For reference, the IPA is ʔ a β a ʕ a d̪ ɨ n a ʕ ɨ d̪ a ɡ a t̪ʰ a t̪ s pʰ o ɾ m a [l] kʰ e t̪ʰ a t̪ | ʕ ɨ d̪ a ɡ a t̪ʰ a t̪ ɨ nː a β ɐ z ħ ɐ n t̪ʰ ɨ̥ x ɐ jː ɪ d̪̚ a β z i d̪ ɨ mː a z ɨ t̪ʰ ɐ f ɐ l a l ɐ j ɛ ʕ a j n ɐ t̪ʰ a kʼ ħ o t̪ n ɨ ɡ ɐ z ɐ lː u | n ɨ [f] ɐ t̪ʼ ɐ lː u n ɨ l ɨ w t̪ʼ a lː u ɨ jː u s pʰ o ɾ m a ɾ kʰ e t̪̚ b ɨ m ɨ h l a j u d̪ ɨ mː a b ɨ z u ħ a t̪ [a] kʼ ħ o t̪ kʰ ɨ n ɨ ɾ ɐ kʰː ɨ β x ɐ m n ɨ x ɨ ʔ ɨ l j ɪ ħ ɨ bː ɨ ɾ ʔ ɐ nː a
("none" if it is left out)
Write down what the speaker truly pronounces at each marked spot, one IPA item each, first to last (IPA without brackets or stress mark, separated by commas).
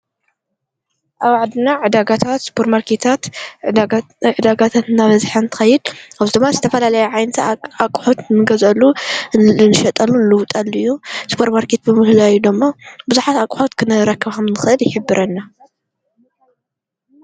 ɾ, ʃ, a